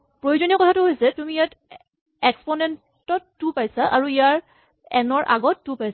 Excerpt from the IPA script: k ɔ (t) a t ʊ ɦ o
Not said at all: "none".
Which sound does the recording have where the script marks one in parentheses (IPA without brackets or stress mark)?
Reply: tʰ